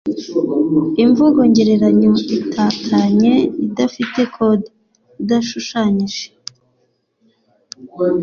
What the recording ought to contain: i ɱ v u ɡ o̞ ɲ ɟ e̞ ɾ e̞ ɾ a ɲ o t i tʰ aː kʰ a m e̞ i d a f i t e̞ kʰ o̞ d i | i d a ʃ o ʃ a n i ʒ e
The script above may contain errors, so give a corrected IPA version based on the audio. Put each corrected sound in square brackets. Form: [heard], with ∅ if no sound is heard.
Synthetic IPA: i ɱ v u ɡ o̞ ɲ ɟ e̞ ɾ e̞ ɾ a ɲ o [∅] i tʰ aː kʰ a [ɲ] e̞ i d a f i t e̞ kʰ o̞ d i | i d a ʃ [u] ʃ a [ɲ] i ʒ e